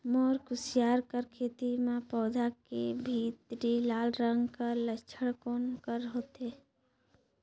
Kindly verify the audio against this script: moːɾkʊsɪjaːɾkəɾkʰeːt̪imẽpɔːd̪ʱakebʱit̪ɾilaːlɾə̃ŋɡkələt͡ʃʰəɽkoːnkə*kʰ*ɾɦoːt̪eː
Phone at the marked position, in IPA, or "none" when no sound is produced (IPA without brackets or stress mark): none